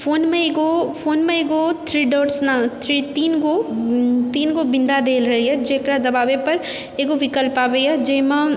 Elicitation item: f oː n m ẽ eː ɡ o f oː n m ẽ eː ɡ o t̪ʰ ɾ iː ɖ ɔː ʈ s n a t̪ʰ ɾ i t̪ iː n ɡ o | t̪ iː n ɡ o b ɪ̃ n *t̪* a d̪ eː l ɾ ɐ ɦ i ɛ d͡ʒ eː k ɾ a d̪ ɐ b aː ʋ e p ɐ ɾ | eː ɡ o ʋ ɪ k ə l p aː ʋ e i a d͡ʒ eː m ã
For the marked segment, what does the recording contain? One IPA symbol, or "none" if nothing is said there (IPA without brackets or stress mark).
d̪